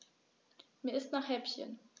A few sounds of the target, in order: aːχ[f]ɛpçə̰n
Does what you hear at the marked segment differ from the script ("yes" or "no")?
yes